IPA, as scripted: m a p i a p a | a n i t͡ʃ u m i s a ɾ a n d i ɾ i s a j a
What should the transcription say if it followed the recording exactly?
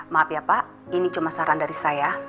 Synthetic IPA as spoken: m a p i a p a | i n i t͡ʃ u m a s a ɾ a n d a ɾ i s a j a